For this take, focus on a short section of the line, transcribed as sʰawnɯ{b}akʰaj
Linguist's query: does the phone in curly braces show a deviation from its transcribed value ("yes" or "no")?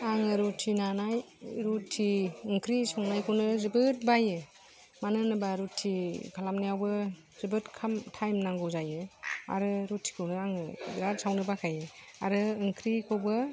no